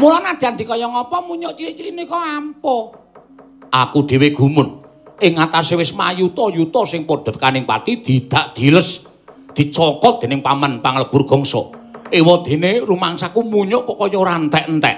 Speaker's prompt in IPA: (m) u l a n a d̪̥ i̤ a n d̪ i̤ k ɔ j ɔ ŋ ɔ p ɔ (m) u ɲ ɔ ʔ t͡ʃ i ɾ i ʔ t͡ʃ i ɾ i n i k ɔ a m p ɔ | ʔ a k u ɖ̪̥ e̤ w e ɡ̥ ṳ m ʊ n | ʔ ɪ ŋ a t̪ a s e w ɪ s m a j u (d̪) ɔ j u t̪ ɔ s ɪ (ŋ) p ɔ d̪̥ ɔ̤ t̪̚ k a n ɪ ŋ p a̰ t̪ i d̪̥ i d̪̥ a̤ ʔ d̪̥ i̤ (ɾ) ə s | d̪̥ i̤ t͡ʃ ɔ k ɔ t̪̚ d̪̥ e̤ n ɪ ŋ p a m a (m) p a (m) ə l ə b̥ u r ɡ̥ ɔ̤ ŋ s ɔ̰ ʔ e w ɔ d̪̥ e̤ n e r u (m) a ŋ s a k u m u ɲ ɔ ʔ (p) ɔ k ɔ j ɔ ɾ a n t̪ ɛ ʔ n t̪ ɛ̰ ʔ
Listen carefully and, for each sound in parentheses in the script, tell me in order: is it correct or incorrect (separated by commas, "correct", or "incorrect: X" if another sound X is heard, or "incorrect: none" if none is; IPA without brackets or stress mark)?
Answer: correct, correct, incorrect: t̪, correct, incorrect: l, incorrect: n, incorrect: ŋ, correct, incorrect: k